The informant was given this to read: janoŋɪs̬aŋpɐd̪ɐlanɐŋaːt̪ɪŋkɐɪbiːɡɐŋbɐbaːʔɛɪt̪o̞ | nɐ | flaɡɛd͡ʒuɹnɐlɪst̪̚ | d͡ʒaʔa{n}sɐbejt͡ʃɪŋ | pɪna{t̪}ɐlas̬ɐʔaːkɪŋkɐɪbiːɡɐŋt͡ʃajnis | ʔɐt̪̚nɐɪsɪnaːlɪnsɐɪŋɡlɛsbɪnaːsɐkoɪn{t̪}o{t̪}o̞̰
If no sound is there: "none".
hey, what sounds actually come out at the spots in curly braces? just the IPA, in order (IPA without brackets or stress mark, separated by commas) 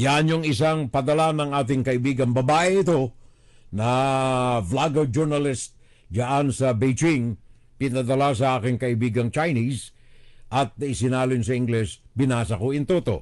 n, d̪, t̪, t̪